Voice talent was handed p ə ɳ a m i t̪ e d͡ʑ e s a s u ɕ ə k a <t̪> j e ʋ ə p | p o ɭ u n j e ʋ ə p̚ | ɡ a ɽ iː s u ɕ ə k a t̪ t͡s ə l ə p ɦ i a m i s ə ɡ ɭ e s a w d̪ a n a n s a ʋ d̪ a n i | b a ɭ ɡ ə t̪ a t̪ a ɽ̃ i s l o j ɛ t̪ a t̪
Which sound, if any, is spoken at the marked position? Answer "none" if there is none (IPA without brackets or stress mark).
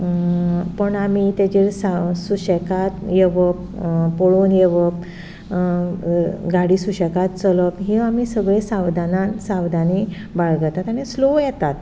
t̪